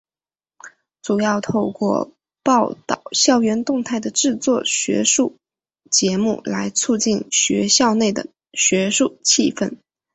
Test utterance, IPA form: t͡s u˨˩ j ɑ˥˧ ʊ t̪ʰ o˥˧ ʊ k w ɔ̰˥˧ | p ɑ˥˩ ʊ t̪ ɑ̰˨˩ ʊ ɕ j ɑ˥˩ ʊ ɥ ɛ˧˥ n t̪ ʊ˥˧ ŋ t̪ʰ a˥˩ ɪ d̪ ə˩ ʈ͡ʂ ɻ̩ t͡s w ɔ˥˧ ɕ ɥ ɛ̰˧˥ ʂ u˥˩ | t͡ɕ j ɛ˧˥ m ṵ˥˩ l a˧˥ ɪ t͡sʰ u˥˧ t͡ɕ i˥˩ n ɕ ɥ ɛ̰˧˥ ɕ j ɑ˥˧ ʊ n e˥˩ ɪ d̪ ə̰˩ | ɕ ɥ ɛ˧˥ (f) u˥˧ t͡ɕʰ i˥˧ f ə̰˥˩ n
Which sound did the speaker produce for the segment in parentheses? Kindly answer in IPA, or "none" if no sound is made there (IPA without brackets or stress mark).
ʂ